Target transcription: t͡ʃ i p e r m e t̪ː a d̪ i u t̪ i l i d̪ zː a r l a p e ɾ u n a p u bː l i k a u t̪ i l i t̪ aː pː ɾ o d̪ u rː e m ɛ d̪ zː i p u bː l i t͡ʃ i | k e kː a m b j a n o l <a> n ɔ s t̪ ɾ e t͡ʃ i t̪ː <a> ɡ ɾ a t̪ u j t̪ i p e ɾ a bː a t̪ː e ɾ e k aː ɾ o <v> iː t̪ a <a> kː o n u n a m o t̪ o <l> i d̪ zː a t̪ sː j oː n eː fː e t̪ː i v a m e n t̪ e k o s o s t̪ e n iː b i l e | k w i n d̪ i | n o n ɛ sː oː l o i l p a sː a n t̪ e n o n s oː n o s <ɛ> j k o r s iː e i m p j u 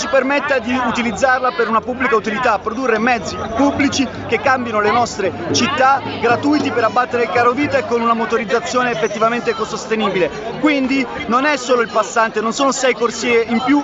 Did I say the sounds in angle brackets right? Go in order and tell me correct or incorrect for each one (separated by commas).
incorrect, correct, correct, incorrect, incorrect, correct